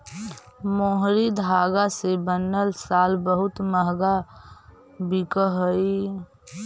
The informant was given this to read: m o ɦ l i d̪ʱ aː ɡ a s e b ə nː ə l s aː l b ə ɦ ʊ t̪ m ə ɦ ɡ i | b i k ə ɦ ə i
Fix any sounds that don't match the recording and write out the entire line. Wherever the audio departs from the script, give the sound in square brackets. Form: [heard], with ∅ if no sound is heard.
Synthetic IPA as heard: m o ɦ [ɾ] i d̪ʱ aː ɡ a s e b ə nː ə l s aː l b ə ɦ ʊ t̪ m ə ɦ ɡ [a] | b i k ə ɦ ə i